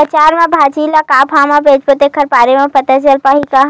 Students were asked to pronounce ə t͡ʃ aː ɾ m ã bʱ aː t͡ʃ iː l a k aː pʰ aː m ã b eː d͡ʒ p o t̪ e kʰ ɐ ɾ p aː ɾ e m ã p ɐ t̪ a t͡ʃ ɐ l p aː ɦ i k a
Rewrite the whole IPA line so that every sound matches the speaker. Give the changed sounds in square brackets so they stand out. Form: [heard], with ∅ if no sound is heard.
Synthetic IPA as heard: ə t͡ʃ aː ɾ m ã bʱ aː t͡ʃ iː l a k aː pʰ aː m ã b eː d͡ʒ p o t̪ e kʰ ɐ ɾ p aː ɾ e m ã p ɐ t̪ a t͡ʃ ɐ l p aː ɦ i k a